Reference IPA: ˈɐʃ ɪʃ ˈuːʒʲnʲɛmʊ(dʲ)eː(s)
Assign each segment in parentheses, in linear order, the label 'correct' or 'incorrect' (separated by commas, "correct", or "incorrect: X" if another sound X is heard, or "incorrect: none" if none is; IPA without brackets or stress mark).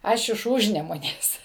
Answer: incorrect: nʲ, correct